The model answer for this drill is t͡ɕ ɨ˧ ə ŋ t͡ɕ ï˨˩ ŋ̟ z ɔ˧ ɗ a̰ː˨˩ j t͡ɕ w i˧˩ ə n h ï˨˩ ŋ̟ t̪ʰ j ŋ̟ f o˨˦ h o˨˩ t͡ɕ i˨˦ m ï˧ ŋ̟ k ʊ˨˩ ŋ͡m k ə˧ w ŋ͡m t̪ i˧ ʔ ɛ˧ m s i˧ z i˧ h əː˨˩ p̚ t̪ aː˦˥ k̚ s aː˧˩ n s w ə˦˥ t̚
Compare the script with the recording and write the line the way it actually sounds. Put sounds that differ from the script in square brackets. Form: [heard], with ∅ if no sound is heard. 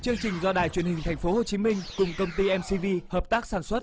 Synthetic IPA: t͡ɕ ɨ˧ ə ŋ t͡ɕ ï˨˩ ŋ̟ z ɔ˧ ɗ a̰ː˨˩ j t͡ɕ w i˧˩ ə n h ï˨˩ ŋ̟ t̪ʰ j ŋ̟ f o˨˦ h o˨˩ t͡ɕ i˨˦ m ï˧ ŋ̟ k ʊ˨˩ ŋ͡m k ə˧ w ŋ͡m t̪ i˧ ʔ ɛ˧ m s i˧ [v] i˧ h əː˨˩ p̚ t̪ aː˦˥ k̚ s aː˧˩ n s w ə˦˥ t̚